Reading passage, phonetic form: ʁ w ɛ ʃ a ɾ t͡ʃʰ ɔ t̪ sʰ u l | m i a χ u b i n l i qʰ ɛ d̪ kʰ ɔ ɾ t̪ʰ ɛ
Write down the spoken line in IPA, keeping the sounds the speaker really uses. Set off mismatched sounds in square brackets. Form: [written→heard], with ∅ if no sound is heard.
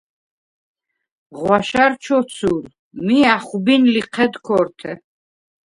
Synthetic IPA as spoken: ʁ w [ɛ→a] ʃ a ɾ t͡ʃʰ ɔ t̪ sʰ u [l→ɾ] | m i a χ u b i n l i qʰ ɛ d̪ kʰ ɔ ɾ t̪ʰ ɛ